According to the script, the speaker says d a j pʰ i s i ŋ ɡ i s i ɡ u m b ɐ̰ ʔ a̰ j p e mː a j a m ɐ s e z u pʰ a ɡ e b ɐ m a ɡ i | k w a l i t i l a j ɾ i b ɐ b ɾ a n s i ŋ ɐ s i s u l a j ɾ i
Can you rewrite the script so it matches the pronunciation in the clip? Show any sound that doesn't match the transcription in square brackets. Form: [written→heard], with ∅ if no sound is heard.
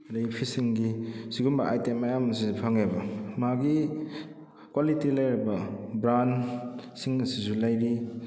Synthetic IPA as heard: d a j pʰ i s i ŋ ɡ i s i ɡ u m b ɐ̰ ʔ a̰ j [p→t] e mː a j a m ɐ s [e→i] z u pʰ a [ɡ→ŋ] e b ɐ m a ɡ i | k w a l i t i l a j ɾ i b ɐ b ɾ a n s i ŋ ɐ s i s u l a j ɾ i